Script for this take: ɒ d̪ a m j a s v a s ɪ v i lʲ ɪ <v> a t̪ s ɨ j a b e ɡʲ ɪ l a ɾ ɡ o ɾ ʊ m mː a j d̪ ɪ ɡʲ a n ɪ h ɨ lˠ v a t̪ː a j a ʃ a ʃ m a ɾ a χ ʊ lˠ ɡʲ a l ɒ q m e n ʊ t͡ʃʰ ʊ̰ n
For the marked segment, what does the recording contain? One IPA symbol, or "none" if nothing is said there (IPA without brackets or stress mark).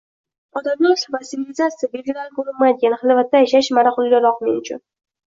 z